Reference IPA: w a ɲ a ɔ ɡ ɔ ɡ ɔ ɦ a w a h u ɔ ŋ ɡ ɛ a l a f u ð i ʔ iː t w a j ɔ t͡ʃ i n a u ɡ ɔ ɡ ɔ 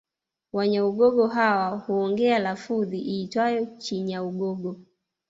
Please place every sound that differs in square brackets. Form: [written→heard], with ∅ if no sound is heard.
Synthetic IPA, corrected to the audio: w a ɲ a [ɔ→u] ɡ ɔ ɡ ɔ ɦ a w a h u ɔ ŋ ɡ ɛ a l a f u ð i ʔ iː t w a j ɔ t͡ʃ i [n→ɲ] a u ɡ ɔ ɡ ɔ